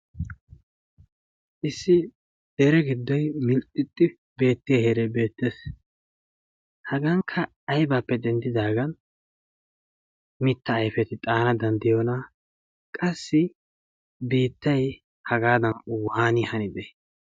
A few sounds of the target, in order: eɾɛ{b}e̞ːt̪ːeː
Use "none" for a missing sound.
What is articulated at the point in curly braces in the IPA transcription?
b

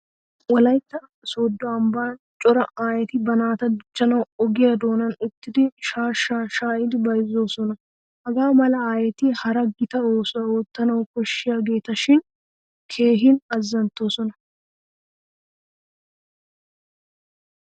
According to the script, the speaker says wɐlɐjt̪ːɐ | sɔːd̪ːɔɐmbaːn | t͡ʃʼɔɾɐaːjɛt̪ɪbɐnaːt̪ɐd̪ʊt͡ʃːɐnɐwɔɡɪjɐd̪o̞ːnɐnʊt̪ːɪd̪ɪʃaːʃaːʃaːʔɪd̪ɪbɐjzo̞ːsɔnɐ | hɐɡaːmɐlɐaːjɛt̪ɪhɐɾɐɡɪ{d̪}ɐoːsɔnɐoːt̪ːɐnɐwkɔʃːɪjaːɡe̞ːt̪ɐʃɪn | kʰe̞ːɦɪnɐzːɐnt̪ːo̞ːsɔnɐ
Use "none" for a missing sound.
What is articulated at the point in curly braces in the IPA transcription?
t̪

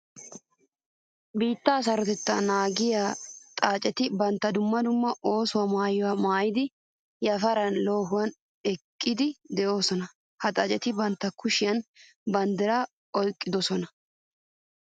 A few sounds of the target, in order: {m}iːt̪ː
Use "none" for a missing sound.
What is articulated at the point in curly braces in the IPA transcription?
b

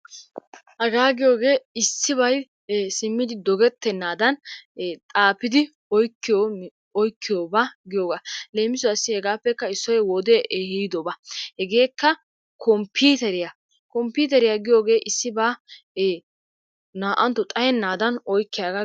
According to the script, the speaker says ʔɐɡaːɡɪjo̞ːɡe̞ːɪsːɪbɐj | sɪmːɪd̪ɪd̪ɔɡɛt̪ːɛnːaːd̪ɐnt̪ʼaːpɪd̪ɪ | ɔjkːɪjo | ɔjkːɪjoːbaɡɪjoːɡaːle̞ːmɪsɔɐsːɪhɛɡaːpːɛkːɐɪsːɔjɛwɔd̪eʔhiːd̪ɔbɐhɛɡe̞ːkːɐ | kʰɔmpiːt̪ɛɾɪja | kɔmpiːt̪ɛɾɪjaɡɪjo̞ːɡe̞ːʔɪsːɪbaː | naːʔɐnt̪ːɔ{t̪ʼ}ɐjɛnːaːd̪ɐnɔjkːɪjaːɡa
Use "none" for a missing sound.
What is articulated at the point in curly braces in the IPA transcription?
t̪ʼ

